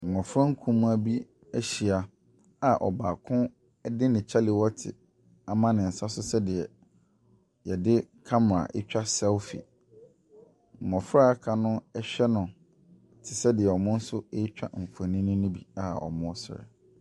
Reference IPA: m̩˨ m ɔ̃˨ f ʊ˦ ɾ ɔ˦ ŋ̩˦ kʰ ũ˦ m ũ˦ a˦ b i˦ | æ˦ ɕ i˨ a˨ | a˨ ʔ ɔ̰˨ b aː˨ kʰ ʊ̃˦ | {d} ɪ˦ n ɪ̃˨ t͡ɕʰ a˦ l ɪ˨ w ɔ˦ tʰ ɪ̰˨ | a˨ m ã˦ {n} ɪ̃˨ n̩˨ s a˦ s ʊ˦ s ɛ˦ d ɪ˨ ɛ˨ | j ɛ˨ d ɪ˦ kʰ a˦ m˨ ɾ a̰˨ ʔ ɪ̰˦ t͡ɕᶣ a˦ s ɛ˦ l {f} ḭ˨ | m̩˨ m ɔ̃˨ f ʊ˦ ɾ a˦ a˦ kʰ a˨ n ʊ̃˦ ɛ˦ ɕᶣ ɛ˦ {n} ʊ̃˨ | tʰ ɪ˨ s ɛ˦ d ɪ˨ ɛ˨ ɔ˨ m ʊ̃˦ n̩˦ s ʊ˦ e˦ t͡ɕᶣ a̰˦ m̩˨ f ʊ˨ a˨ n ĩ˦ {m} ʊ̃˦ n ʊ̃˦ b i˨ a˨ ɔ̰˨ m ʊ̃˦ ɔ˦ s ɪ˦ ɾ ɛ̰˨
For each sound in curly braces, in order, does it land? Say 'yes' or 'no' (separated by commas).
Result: yes, yes, yes, yes, no